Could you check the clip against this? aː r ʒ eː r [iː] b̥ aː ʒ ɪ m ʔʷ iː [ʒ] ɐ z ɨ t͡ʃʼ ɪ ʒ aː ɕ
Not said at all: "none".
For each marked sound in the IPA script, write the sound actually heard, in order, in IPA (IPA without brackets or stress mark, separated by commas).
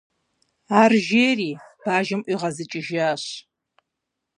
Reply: iː, ʁ